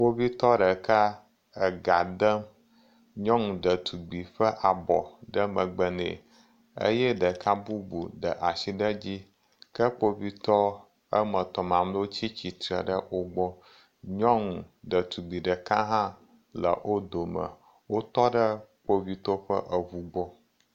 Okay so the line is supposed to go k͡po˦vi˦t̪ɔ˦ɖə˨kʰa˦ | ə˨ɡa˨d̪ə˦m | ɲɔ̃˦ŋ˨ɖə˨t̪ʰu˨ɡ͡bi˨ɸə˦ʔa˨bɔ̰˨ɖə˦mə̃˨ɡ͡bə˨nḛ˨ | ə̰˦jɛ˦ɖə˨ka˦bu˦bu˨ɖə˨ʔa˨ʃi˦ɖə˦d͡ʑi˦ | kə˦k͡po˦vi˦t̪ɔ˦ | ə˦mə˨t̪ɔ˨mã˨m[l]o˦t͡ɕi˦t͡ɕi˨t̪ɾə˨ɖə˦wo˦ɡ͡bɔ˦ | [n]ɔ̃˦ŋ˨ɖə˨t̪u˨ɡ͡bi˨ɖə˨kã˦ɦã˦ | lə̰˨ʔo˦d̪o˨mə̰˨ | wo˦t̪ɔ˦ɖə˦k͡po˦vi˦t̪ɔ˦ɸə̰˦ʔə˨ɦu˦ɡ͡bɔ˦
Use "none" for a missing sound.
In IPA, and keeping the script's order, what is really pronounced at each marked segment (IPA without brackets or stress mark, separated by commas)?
l, ɲ